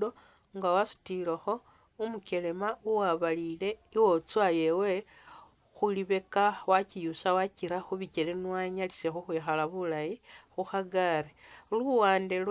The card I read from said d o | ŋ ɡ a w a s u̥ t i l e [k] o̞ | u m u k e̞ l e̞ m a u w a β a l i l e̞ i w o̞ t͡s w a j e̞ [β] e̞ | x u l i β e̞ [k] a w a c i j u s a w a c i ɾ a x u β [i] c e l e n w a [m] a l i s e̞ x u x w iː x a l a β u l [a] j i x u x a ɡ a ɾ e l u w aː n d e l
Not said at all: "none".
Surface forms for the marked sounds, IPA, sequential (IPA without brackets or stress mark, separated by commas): x, w, k, i, ɲ, a